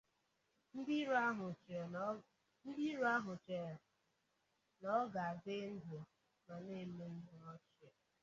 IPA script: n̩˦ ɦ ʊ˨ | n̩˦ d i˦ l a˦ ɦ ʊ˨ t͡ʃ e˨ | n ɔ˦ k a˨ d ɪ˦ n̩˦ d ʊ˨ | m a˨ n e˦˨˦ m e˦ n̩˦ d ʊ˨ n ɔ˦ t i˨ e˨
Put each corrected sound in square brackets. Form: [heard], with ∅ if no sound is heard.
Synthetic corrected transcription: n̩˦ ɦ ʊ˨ | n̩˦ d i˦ [ɾ] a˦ ɦ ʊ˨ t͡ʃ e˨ | n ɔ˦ [ɡ] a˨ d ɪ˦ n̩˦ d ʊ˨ | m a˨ n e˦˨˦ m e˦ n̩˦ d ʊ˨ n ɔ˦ [t͡ʃ] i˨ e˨